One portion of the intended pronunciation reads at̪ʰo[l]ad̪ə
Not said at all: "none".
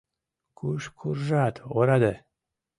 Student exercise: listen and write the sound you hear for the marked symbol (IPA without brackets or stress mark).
ɾ